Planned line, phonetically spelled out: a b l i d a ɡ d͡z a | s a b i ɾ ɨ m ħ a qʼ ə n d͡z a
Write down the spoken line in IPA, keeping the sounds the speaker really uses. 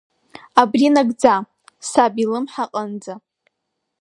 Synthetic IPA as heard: a b r i n a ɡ d͡z a | s a b i l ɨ m ħ a qʼ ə n d͡z a

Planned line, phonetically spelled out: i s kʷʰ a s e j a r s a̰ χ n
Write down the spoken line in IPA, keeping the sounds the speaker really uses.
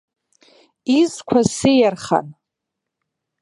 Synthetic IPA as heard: i z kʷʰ a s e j a r χ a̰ n

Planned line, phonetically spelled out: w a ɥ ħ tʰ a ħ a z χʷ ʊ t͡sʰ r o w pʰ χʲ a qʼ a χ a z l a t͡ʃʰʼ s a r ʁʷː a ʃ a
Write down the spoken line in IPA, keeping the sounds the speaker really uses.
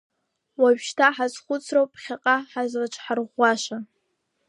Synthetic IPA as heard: w a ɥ ʃ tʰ a ħ a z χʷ ʊ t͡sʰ r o w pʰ χʲ a qʼ a ħ a z l a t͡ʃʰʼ ħ a r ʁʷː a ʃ a

